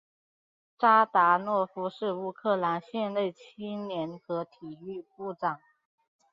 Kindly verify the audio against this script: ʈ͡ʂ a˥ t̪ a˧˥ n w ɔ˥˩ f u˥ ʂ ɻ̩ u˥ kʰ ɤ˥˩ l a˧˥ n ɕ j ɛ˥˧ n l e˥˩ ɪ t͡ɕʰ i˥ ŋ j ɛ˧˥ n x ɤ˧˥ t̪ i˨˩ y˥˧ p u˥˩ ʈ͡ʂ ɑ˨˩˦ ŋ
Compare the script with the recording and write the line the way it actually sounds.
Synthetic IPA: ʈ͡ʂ a˥ t̪ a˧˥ n w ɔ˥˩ f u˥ ʂ ɻ̩ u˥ kʰ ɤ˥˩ l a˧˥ n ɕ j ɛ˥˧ n l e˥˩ ɪ t͡ɕʰ i˥ n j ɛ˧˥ n x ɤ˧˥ t̪ʰ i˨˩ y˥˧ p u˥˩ ʈ͡ʂ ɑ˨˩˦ ŋ